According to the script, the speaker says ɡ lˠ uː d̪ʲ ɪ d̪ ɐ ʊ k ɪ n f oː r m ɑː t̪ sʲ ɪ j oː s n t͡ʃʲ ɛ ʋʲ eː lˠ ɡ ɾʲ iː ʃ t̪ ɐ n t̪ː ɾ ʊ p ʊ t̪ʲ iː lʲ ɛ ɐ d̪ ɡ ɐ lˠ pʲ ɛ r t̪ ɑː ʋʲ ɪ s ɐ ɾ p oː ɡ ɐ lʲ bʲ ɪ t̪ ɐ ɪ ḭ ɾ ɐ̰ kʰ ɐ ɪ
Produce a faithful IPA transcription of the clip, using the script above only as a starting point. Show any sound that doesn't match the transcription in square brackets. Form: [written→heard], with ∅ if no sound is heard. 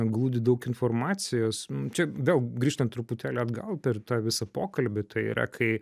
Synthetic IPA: ɡ lˠ uː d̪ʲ ɪ d̪ ɐ ʊ k ɪ n f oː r m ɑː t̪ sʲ ɪ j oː s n t͡ʃʲ ɛ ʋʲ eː lˠ ɡ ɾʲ iː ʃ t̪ ɐ n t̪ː ɾ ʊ p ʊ t̪ʲ [iː→æː] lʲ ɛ ɐ d̪ ɡ ɐ lˠ pʲ ɛ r t̪ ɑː ʋʲ ɪ s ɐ [ɾ→∅] p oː [ɡ→k] ɐ lʲ bʲ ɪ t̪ ɐ ɪ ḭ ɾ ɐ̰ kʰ ɐ ɪ